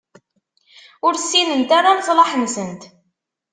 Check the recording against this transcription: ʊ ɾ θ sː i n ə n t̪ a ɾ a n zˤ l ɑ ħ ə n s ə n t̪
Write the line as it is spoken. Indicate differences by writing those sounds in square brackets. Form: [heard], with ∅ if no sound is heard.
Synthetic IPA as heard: ʊ ɾ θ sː i n ə n t̪ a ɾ a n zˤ l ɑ ħ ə n s ə n t̪